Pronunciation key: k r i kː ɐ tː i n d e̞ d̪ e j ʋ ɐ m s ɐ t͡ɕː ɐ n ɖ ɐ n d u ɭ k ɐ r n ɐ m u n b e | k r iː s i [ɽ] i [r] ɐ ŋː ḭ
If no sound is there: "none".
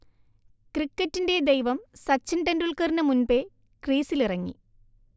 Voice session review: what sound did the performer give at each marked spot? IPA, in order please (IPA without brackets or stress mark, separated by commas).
l, r